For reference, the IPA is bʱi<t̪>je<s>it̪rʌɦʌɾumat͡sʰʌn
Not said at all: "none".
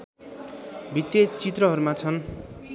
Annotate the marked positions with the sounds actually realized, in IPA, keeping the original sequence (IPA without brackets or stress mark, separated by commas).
t̪, t͡s